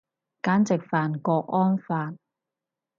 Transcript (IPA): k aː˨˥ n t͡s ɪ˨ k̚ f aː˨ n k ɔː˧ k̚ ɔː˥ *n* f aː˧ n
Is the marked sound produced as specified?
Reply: yes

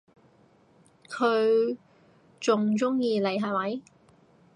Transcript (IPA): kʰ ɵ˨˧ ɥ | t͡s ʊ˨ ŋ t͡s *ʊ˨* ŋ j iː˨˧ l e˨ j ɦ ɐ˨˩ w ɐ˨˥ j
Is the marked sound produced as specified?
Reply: no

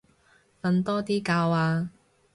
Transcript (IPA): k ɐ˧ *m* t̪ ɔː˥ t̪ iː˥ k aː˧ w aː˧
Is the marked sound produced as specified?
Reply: no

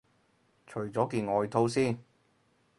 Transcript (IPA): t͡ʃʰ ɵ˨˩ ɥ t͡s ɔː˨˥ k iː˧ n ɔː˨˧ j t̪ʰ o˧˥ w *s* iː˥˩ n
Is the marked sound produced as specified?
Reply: yes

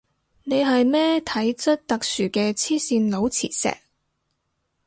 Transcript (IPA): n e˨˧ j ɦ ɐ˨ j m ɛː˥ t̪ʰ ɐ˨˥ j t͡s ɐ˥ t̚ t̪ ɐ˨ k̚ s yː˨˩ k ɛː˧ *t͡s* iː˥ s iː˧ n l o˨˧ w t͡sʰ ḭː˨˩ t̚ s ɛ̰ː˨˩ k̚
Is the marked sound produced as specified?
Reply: no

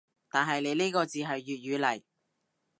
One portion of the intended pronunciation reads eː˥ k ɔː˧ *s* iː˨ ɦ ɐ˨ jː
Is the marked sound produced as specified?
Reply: no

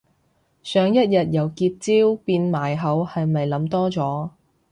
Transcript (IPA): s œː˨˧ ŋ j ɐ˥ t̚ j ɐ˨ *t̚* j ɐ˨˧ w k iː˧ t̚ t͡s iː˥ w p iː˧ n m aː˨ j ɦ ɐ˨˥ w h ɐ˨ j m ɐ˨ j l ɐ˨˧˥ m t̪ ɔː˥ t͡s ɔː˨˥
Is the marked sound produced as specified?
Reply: yes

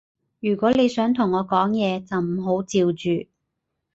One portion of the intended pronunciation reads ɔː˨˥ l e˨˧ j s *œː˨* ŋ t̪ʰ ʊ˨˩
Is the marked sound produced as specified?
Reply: no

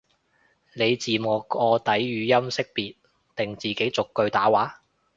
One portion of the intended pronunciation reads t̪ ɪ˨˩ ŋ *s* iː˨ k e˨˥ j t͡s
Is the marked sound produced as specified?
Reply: no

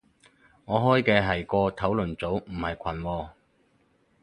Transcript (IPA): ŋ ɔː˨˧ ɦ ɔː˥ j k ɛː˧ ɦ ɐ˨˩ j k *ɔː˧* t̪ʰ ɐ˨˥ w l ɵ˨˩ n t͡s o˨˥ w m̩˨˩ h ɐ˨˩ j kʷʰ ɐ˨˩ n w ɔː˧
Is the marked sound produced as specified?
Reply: yes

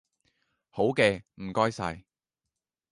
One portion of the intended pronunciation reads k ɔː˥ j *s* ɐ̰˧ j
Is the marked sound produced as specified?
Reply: yes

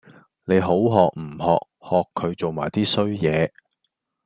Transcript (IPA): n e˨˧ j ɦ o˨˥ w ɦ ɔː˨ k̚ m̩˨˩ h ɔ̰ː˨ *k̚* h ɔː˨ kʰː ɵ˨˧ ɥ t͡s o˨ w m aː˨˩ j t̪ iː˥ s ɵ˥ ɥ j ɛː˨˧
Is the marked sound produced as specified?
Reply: yes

